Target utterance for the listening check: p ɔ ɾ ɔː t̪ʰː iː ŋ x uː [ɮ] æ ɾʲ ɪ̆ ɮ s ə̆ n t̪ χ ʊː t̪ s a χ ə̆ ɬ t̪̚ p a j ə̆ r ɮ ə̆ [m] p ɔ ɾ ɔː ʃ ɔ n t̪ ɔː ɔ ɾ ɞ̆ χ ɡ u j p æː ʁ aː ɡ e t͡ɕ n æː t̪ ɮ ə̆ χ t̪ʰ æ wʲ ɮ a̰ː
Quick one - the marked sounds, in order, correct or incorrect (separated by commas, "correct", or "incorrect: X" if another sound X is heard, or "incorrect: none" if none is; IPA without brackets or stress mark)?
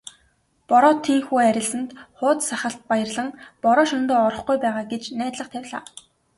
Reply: incorrect: none, incorrect: ŋ